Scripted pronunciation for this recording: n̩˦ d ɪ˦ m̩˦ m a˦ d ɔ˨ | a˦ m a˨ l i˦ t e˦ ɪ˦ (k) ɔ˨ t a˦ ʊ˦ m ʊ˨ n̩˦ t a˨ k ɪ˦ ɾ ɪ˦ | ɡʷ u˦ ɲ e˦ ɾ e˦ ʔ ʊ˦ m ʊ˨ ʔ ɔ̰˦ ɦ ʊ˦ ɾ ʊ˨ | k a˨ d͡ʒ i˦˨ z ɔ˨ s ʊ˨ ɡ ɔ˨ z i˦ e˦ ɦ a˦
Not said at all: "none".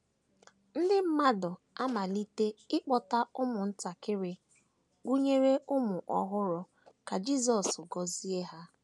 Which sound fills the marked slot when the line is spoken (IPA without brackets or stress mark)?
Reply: k͡p